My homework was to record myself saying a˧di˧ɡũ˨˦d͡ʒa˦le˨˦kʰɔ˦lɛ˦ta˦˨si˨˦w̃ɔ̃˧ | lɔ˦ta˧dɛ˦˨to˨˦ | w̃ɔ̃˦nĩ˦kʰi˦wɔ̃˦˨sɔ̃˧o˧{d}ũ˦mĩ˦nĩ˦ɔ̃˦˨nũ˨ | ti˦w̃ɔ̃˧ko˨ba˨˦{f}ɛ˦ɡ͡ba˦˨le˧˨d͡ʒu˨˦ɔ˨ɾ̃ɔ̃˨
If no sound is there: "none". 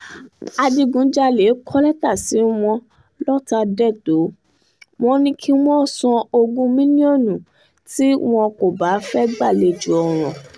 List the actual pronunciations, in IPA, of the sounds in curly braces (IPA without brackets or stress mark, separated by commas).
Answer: ɡ, f